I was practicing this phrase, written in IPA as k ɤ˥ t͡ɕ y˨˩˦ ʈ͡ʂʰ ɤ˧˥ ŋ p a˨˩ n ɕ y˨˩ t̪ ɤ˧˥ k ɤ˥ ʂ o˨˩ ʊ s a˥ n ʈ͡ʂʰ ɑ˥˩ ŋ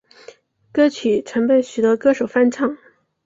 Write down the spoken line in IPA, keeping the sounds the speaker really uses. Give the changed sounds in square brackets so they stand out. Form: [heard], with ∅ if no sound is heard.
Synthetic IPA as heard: k ɤ˥ [t͡ɕʰ] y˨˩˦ ʈ͡ʂʰ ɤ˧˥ ŋ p [ə˨˩] n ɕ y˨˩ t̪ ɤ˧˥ k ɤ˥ ʂ o˨˩ ʊ [f] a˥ n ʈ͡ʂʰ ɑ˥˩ ŋ